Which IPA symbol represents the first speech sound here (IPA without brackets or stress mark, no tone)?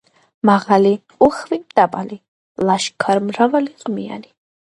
m